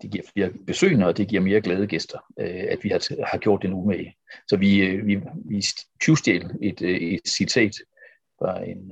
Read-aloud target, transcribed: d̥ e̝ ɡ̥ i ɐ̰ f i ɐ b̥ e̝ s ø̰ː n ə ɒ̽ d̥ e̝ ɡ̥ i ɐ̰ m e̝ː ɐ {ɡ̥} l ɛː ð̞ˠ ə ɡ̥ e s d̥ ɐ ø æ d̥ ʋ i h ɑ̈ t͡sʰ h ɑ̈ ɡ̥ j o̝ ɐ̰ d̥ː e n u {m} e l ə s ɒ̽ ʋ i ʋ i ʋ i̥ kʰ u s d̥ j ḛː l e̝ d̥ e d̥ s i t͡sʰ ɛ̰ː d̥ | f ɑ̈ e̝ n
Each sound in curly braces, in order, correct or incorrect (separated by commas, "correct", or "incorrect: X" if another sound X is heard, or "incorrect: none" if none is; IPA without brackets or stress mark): correct, correct